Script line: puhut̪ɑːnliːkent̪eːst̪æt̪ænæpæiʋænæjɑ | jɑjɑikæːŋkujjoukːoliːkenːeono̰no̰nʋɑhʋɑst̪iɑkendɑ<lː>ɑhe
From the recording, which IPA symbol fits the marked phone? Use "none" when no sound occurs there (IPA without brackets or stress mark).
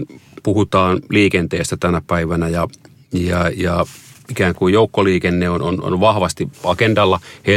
lː